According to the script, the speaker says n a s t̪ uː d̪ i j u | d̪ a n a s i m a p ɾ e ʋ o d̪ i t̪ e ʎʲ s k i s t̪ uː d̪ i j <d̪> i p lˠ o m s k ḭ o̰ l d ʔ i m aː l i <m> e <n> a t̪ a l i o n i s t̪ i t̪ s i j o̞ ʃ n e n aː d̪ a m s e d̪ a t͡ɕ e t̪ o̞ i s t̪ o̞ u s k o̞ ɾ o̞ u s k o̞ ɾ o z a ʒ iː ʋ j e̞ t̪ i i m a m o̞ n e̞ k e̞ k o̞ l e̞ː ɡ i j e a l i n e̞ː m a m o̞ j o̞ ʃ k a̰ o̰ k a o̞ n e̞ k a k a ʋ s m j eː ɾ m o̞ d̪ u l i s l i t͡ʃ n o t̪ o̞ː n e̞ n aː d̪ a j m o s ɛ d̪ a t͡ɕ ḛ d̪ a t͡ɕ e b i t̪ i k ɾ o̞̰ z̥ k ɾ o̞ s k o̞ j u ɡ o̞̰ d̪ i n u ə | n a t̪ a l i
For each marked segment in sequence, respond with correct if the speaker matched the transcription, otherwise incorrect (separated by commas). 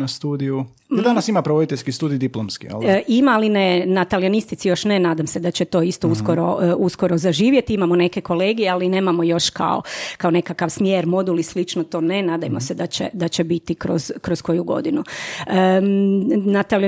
correct, incorrect, correct